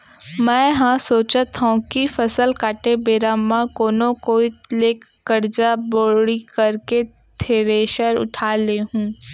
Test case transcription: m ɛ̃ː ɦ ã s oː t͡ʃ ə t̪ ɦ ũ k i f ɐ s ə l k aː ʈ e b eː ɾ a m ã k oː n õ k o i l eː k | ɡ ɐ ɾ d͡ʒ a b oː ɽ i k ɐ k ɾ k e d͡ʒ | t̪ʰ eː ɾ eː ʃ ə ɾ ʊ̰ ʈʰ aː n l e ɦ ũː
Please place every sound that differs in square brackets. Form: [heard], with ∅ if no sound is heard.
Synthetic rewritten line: m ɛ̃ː ɦ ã s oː t͡ʃ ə t̪ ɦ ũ k i f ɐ s ə l k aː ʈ e b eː ɾ a m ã k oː n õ k o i l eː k | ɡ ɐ ɾ d͡ʒ a b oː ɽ i k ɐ [∅] ɾ k e [∅] | t̪ʰ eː ɾ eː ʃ ə ɾ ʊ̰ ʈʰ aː [∅] l e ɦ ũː